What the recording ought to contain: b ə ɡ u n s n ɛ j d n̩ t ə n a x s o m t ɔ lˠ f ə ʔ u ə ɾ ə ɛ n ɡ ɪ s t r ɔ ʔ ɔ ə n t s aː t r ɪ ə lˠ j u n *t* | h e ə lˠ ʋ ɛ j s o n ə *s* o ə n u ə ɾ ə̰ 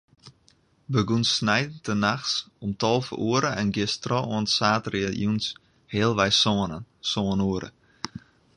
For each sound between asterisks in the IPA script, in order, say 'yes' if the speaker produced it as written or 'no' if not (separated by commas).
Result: no, yes